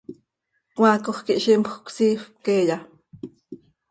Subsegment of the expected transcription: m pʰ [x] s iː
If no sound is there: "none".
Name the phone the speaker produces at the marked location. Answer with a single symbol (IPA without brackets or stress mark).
k